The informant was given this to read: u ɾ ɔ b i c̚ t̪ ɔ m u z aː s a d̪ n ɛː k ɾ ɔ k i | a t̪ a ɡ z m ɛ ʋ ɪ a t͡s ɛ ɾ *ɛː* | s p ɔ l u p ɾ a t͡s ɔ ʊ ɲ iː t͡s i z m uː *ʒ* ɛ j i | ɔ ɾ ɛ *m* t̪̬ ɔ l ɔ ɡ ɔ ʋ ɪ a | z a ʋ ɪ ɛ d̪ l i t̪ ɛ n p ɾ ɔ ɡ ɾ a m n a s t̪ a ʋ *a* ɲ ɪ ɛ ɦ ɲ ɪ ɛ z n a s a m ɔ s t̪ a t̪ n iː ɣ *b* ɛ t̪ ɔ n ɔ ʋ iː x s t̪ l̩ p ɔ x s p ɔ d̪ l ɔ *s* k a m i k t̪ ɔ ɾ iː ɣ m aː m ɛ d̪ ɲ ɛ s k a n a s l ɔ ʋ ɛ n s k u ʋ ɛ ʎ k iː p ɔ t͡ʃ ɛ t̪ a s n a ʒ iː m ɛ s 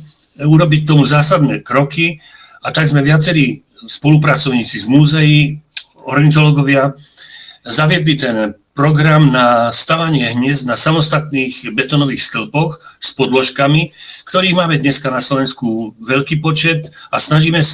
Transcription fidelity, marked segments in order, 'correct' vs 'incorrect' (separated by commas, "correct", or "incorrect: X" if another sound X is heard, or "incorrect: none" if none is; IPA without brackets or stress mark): incorrect: iː, incorrect: z, incorrect: n, correct, correct, incorrect: ʃ